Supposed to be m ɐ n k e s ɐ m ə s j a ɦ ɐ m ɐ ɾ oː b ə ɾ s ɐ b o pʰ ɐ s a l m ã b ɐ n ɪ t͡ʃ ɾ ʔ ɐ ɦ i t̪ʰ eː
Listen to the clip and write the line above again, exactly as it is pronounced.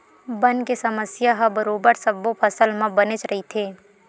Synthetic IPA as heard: b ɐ n k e s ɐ m ə s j a ɦ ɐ b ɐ ɾ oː b ə ɾ s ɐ b o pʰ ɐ s ə l m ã b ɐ n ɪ t͡ʃ ɾ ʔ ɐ ɦ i t̪ʰ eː